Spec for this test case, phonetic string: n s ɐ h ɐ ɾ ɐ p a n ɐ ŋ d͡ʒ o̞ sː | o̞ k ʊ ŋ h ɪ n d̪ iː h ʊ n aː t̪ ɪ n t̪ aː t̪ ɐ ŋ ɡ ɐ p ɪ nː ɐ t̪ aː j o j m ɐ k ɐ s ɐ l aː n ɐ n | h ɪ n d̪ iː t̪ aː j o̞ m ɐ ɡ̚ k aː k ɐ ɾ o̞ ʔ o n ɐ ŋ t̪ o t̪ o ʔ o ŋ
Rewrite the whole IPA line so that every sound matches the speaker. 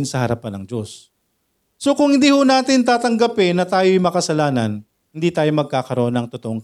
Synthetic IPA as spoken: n s ɐ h ɐ ɾ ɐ p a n ɐ ŋ d͡ʒ o̞ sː | o̞ k ʊ ŋ h ɪ n d̪ iː h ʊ n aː t̪ ɪ n t̪ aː t̪ ɐ ŋ ɡ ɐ p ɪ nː ɐ t̪ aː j o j m ɐ k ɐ s ɐ l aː n ɐ n | h ɪ n d̪ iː t̪ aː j o̞ m ɐ ɡ̚ k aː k ɐ ɾ o̞ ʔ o n ɐ ŋ t̪ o t̪ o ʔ o ŋ